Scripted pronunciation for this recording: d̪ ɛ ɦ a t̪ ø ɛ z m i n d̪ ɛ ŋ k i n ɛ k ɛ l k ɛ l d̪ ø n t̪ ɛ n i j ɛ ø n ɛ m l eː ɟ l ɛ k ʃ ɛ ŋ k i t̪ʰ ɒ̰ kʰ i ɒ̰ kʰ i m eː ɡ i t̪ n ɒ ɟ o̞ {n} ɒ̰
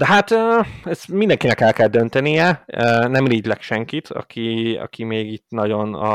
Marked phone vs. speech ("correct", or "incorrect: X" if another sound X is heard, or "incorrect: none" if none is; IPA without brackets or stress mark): correct